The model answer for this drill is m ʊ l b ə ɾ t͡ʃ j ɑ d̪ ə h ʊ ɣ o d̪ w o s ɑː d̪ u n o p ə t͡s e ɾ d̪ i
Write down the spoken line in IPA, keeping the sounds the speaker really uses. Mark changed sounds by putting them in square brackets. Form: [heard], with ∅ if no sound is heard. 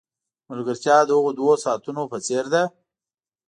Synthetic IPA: m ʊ l [ɡ] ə ɾ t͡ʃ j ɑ d̪ ə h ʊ ɣ o d̪ w o s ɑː [t̪] u n o p ə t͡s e ɾ d̪ [a]